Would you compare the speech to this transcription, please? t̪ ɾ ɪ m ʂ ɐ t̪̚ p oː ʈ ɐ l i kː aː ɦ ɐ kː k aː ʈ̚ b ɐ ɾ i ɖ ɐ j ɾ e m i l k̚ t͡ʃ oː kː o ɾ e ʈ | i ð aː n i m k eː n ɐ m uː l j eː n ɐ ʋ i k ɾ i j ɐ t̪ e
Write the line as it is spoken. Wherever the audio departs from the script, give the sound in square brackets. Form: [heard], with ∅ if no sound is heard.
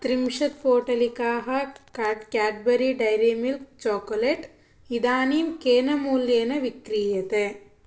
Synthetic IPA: t̪ ɾ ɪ m ʂ ɐ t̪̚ p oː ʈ ɐ l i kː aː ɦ ɐ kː k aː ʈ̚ b ɐ ɾ i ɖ ɐ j ɾ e m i l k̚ t͡ʃ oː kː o [l] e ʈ | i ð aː n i m k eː n ɐ m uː l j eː n ɐ ʋ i k ɾ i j ɐ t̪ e